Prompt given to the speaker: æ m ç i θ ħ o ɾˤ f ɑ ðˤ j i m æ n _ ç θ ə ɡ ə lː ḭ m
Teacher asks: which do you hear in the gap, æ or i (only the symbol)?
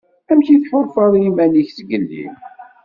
i